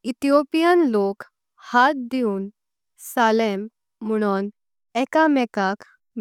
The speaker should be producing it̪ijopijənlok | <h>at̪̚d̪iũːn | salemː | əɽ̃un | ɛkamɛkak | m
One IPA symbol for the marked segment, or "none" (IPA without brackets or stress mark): h